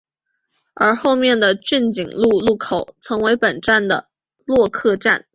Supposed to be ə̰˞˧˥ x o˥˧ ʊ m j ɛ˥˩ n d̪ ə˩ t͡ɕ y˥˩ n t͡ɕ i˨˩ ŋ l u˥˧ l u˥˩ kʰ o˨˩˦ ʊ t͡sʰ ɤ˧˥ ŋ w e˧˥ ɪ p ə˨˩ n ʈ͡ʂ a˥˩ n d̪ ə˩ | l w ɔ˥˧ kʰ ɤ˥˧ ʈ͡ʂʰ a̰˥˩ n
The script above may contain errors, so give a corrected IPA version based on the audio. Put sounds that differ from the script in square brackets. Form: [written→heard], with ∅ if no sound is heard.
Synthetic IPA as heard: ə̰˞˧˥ x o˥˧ ʊ m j ɛ˥˩ n d̪ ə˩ t͡ɕ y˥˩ n t͡ɕ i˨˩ ŋ l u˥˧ l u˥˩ kʰ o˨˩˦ ʊ t͡sʰ ɤ˧˥ ŋ w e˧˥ ɪ p ə˨˩ n ʈ͡ʂ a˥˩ n d̪ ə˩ | l w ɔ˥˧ kʰ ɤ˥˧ [ʈ͡ʂʰ→ʈ͡ʂ] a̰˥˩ n